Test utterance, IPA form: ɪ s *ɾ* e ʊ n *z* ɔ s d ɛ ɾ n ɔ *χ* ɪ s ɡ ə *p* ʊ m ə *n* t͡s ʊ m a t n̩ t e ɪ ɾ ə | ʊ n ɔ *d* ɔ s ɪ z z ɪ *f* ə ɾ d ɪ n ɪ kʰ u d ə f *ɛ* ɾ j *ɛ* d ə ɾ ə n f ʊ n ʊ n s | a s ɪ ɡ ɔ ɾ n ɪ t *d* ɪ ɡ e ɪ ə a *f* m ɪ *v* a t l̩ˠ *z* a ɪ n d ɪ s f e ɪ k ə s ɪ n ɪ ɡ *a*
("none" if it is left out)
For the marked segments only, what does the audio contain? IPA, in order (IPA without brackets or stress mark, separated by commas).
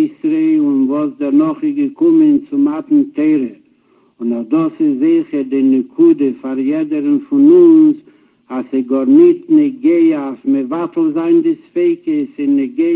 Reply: ɾ, v, χ, k, n, d, χ, a, ɛ, n, f, v, z, e